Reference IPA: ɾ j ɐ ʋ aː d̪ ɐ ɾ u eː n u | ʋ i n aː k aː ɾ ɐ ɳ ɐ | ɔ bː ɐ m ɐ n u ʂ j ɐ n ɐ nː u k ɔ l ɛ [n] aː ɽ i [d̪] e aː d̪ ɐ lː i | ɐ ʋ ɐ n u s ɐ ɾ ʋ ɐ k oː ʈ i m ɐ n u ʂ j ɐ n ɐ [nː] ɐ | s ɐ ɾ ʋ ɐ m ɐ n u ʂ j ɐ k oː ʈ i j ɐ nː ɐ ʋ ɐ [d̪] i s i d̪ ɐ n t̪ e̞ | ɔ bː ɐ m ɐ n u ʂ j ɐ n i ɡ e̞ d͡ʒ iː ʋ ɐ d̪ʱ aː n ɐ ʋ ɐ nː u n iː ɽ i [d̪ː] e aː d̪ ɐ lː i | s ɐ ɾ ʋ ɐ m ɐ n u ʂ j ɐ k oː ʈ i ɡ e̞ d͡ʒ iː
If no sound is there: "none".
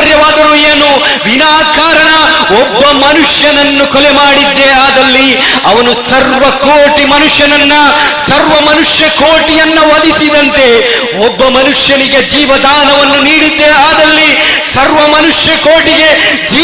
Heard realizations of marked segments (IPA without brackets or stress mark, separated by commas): m, d̪ː, nː, d̪, d̪ː